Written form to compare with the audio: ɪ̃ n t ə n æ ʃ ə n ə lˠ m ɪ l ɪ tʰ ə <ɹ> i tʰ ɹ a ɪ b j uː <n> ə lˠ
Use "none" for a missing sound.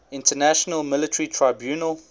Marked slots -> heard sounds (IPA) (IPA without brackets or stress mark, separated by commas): ɹ, n